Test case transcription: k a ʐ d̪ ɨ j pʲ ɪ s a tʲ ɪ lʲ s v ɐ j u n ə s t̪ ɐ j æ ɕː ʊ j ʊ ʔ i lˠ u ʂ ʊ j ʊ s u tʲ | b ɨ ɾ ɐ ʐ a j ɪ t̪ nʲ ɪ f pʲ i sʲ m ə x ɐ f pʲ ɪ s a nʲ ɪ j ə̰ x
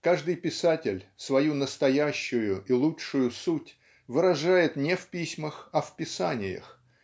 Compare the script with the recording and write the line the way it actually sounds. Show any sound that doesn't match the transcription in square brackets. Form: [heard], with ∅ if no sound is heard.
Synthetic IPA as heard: k a ʐ d̪ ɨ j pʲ ɪ s a tʲ ɪ lʲ s v ɐ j u n ə s t̪ ɐ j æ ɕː ʊ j ʊ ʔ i lˠ u ʂ ʊ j ʊ s u tʲ | [v] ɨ ɾ ɐ ʐ a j ɪ t̪ nʲ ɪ f pʲ i sʲ m ə x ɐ f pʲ ɪ s a nʲ ɪ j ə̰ x